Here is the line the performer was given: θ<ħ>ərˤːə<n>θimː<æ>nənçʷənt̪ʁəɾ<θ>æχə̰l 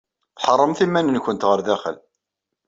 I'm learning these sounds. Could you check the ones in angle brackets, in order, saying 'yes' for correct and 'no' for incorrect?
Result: yes, no, yes, no

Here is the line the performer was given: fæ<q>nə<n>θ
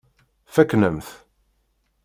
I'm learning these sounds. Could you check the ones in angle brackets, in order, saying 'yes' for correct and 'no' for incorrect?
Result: no, no

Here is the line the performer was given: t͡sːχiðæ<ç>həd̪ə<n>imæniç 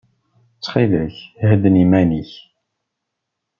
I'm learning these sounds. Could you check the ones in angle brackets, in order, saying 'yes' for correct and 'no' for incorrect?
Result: yes, yes

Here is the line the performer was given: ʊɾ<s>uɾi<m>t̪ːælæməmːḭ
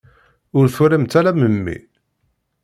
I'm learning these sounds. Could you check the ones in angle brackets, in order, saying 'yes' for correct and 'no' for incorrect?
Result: no, yes

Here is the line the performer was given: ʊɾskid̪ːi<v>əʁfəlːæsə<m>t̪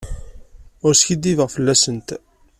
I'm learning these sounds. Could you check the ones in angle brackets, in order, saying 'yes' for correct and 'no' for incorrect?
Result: yes, no

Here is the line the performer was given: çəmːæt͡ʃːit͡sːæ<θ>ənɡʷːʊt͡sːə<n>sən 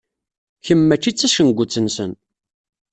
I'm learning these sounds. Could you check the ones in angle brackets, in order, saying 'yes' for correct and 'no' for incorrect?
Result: no, yes

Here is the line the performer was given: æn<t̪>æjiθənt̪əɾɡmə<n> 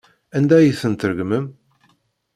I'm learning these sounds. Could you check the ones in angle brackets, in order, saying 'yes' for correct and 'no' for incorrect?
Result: no, no

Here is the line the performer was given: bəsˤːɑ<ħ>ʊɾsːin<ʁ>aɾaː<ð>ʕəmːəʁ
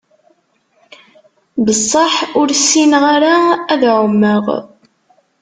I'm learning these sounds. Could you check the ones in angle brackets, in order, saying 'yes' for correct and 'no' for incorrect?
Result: yes, yes, yes

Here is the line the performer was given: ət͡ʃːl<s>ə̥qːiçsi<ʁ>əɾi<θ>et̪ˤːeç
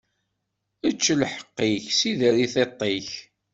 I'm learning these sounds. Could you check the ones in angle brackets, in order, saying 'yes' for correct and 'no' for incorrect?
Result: no, no, yes

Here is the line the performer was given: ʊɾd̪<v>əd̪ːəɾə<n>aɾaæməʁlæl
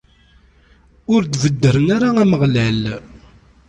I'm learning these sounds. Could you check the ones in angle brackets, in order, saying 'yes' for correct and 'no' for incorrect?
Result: yes, yes

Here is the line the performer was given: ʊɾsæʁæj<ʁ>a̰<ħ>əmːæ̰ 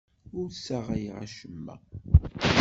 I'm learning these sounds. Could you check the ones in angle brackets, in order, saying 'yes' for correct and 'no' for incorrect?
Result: yes, no

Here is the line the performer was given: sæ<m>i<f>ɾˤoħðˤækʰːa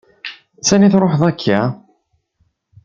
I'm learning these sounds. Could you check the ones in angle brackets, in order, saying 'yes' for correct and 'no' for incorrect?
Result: no, no

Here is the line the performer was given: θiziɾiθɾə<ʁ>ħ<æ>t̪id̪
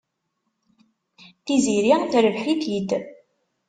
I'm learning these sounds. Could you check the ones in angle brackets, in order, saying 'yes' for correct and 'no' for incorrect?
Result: no, no

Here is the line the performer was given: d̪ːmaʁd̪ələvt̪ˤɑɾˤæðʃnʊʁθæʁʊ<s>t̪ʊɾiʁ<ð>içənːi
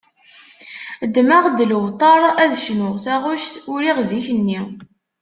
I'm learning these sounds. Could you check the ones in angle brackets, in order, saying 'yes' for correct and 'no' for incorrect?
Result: no, no

